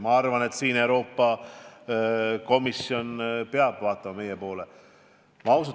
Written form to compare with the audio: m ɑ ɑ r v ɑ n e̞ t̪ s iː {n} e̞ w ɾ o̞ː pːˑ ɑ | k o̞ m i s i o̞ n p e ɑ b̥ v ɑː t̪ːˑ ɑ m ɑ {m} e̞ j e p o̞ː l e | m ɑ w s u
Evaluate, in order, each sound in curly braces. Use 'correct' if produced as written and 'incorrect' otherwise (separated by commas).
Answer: correct, correct